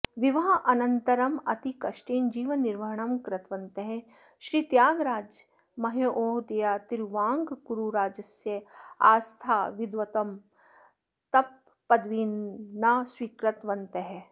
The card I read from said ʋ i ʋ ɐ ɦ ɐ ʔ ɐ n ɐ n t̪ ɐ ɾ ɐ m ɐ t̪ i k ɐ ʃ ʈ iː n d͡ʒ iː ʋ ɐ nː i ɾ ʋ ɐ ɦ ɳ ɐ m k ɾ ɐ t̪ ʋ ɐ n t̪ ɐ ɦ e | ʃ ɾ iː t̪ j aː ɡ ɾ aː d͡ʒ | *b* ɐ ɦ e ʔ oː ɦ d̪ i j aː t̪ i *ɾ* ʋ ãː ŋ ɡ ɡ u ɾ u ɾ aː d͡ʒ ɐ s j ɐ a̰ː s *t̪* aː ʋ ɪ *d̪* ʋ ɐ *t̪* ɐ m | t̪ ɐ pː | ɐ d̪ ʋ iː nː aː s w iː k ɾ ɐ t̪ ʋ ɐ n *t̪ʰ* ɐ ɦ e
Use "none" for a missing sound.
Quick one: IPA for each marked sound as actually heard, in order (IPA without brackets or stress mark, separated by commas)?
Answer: m, ɾ, t̪ʰ, d̪, t̪, t̪